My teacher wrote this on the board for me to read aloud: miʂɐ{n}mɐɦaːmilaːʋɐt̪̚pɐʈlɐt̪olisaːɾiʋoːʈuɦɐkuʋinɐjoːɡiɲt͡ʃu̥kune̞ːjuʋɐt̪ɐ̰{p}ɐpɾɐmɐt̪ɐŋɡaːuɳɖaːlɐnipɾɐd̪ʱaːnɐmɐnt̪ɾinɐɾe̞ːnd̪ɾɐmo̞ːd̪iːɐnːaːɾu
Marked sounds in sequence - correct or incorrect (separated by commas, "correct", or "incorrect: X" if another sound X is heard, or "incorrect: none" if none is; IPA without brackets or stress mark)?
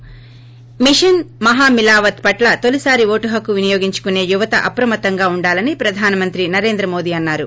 correct, incorrect: ʔ